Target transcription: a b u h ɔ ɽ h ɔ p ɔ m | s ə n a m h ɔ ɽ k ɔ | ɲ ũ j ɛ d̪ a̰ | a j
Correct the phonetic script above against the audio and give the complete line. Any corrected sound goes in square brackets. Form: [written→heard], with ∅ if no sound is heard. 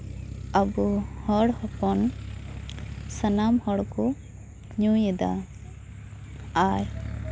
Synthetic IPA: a b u h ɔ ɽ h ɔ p ɔ [m→n] | s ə n a m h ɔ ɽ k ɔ | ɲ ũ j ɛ d̪ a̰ | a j